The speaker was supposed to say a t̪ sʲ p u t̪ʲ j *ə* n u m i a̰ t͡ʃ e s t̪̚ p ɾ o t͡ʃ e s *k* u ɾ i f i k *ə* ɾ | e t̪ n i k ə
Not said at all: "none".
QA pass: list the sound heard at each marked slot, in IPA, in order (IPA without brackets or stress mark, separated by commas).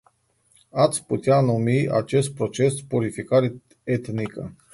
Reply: a, p, a